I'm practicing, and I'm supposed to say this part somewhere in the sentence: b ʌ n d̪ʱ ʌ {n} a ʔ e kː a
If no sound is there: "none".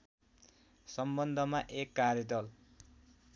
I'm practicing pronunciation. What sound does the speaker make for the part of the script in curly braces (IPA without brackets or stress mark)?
m